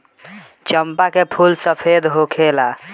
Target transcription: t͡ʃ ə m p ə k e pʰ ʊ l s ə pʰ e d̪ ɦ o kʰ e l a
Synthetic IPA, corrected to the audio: t͡ʃ ə m p a k e pʰ u l s ə pʰ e d̪ ɦ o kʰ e l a